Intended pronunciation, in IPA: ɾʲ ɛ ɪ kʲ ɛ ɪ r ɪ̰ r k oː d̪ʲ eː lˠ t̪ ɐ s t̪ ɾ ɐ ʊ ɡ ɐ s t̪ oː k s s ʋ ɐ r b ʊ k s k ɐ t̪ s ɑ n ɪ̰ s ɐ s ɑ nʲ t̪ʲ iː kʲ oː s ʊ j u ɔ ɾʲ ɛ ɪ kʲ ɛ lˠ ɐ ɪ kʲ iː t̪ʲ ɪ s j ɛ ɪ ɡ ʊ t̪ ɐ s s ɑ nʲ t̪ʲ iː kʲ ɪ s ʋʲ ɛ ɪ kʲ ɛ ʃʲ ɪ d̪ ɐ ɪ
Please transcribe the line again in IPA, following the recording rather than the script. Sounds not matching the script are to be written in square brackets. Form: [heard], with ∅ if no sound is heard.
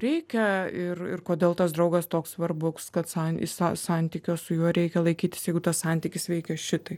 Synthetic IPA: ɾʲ ɛ ɪ kʲ ɛ ɪ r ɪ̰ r k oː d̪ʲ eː lˠ t̪ ɐ s [d̪] ɾ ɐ ʊ ɡ ɐ s t̪ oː k s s ʋ ɐ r b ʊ k s k ɐ t̪ s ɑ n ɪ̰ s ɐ s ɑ nʲ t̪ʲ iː kʲ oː s ʊ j u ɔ ɾʲ ɛ ɪ kʲ ɛ lˠ ɐ ɪ kʲ iː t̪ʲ ɪ s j ɛ ɪ ɡ ʊ t̪ ɐ s s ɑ nʲ t̪ʲ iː kʲ ɪ s ʋʲ ɛ ɪ kʲ ɛ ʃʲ ɪ [t̪] ɐ ɪ